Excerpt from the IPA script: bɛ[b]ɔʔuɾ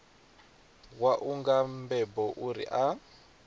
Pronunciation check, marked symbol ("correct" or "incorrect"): correct